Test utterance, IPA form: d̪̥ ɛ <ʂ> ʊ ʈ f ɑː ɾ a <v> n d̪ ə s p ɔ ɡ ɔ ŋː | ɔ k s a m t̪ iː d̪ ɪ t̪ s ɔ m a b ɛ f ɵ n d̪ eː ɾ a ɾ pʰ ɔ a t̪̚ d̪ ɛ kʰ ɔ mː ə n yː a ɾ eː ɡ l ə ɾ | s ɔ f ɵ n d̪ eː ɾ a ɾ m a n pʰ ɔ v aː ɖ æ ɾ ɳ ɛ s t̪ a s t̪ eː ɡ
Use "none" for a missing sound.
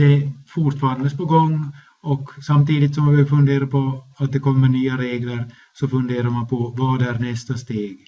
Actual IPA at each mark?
f, none

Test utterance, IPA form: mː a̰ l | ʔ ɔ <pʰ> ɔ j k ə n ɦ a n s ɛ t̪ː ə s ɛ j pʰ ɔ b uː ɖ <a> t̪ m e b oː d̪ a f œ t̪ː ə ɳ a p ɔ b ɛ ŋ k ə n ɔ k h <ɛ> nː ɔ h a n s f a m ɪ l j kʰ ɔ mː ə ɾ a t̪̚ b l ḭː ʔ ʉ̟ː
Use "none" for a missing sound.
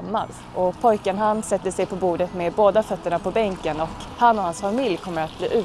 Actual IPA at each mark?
pʰ, ə, a

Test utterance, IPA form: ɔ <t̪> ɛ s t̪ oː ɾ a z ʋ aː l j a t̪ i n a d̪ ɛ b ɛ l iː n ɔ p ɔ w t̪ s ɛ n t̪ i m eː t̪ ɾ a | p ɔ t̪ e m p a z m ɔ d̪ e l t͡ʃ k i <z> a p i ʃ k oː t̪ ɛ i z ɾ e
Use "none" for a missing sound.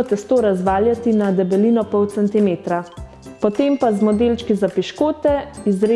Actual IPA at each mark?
t̪, z

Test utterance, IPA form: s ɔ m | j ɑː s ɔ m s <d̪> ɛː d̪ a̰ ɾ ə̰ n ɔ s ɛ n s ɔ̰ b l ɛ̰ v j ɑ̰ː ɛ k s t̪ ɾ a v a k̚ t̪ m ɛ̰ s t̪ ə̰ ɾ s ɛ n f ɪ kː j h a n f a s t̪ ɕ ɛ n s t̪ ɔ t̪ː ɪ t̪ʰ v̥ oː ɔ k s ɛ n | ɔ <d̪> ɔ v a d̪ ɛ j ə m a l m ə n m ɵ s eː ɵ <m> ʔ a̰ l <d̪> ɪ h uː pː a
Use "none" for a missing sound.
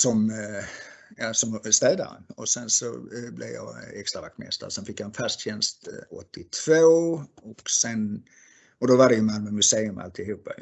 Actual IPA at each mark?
t̪, d̪, m, t̪

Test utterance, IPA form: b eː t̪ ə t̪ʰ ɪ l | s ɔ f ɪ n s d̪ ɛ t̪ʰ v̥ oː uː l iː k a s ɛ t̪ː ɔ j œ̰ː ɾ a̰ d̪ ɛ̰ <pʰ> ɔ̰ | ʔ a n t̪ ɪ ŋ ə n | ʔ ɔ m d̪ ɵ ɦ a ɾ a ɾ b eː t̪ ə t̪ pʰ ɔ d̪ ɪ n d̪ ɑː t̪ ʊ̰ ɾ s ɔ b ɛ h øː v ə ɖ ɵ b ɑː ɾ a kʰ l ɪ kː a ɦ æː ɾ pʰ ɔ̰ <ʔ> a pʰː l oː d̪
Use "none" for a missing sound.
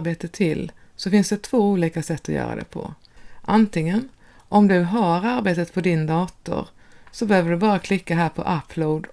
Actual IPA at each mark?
pʰ, ʔ

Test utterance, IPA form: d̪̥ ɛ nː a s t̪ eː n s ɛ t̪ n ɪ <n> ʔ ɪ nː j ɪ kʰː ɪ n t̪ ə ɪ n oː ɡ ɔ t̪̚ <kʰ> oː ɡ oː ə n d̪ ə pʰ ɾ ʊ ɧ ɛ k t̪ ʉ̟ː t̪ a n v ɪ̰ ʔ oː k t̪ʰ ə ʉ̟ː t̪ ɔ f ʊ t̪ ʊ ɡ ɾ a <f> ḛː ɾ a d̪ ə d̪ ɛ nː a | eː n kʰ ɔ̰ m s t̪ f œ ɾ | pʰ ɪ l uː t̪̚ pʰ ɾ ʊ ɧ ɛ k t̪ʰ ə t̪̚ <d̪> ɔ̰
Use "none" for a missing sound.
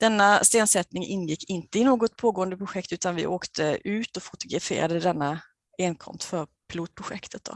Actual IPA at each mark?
ŋ, pʰ, f, d̪

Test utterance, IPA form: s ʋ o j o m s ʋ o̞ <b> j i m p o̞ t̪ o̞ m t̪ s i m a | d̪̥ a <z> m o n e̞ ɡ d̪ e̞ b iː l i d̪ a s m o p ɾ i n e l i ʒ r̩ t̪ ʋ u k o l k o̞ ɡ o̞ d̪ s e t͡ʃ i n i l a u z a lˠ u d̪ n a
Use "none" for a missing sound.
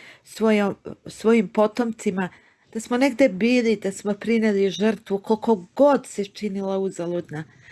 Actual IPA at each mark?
none, s

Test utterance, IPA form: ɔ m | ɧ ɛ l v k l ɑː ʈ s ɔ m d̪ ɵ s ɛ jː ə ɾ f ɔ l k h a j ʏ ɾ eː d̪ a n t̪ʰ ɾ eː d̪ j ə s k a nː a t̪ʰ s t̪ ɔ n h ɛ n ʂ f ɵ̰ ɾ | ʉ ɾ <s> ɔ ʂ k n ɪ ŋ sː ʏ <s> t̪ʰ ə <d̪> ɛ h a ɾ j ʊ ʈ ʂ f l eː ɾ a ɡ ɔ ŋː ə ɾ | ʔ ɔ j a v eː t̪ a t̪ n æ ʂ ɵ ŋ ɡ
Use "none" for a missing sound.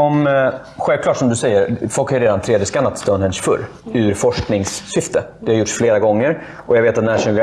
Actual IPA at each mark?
f, f, d̪

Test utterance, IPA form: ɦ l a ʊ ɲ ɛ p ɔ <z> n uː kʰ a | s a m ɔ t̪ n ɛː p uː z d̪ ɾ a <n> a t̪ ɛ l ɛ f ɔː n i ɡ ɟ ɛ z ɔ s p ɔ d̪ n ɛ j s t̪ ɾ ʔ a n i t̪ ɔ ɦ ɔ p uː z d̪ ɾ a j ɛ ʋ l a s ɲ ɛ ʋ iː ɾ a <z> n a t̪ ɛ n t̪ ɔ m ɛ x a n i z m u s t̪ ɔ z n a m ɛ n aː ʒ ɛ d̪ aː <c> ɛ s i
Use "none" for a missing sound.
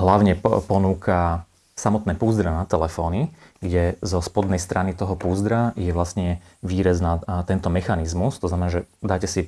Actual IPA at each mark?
none, n, z, c

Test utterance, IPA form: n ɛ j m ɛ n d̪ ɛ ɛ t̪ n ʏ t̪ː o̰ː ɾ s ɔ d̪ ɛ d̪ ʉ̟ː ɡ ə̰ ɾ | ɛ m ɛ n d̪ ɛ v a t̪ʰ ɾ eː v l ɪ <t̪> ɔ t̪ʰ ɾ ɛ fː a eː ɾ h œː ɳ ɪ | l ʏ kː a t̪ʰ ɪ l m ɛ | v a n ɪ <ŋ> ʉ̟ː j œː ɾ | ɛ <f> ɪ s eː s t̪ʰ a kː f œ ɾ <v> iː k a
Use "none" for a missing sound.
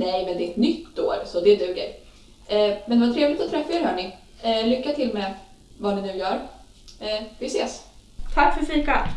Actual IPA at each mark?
t̪, n, v, f

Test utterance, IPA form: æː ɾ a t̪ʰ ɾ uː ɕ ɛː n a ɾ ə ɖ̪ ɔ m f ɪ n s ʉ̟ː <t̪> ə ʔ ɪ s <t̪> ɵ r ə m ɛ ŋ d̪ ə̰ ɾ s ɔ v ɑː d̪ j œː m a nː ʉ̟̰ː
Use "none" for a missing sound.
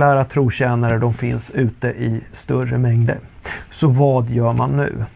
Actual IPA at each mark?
t̪, t̪

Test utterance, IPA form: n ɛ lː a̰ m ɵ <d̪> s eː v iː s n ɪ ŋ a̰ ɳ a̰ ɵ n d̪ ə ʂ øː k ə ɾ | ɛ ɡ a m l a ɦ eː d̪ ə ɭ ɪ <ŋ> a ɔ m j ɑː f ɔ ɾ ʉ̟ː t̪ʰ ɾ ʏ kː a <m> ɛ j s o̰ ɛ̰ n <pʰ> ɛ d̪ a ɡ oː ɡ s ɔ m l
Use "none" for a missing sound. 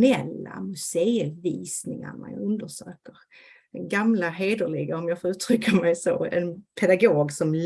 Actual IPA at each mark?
none, ɡ, m, pʰ

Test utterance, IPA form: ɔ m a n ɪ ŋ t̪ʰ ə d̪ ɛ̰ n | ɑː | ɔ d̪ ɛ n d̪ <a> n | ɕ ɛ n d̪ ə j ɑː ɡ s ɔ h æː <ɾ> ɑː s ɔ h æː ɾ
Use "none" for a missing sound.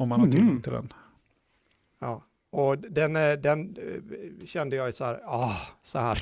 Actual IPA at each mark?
ɛ, ɾ

